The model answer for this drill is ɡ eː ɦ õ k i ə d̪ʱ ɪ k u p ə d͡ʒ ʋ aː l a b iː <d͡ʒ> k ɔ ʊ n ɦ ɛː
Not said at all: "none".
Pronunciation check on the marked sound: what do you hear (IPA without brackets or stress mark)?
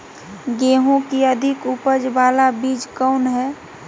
d͡ʒ